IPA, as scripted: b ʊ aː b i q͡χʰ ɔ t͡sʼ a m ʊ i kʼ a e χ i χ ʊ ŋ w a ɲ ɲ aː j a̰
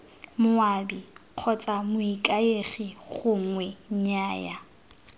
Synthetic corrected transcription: m ʊ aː b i q͡χʰ ɔ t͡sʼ a m ʊ i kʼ a e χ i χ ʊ ŋ w ɛ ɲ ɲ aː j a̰